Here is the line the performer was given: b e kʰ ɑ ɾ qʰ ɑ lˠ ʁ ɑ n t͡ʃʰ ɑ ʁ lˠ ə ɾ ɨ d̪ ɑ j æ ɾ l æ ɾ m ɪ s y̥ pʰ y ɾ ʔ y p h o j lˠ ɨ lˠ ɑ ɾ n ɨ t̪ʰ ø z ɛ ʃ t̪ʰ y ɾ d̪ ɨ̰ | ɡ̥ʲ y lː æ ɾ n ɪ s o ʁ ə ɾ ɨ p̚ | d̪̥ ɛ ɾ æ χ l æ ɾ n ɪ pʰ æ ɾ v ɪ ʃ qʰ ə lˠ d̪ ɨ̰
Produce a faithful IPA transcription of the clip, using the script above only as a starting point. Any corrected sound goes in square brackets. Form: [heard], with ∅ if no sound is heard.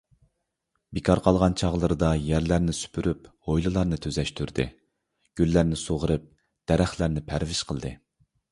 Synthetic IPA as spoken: b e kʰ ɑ ɾ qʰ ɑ lˠ ʁ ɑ n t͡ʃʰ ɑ ʁ lˠ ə ɾ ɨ d̪ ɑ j æ ɾ l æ ɾ [n] ɪ s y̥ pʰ y ɾ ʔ y p h o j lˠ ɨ lˠ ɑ ɾ n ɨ t̪ʰ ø z ɛ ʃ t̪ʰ y ɾ d̪ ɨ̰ | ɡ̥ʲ y lː æ ɾ n ɪ s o ʁ ə ɾ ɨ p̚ | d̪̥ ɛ ɾ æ χ l æ ɾ n ɪ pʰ æ ɾ v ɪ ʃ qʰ ə lˠ d̪ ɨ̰